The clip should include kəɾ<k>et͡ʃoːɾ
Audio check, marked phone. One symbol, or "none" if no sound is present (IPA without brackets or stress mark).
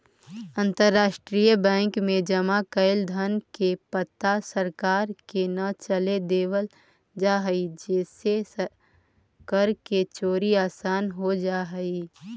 k